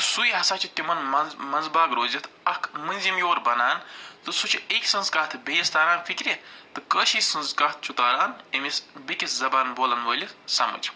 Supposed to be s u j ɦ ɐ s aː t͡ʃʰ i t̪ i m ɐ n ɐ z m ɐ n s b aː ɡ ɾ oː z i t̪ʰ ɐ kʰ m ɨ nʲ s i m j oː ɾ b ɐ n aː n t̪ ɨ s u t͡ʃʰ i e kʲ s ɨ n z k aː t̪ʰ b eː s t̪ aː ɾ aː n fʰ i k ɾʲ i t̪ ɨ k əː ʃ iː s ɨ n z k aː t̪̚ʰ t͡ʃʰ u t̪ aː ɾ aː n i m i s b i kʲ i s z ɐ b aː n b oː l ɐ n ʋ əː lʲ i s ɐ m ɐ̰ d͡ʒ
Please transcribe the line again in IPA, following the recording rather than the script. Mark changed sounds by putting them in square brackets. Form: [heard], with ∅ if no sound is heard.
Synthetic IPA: s u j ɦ ɐ s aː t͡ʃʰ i t̪ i m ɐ n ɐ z m ɐ n [z] b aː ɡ ɾ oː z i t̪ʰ ɐ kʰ m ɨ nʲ [z] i m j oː ɾ b ɐ n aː n t̪ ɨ s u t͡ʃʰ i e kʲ s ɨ n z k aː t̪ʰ b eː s t̪ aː ɾ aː n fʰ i k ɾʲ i t̪ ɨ k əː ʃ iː s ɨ n z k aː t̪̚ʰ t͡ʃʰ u t̪ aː ɾ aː n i m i s b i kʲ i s z ɐ b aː n b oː l ɐ n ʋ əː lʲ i s ɐ m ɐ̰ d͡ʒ